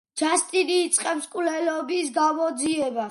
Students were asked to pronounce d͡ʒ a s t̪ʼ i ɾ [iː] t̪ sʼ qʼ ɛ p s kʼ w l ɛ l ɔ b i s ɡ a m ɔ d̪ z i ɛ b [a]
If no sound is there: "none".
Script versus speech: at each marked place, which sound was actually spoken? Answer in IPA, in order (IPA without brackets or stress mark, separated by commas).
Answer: iː, a